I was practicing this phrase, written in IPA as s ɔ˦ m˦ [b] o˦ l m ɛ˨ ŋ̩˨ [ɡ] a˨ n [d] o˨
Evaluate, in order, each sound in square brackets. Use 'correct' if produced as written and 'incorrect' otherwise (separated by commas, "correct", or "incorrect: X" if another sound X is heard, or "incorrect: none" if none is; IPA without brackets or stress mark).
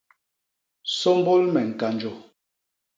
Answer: correct, incorrect: k, incorrect: d͡ʒ